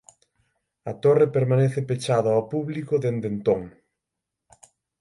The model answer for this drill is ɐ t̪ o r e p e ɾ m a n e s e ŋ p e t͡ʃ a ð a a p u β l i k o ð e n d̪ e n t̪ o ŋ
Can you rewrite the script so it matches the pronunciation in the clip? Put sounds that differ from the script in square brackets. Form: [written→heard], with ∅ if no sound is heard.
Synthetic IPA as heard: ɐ t̪ o r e p e ɾ m a n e [s→θ] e [ŋ→∅] p e t͡ʃ a ð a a p u β l i k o ð e n d̪ e n t̪ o ŋ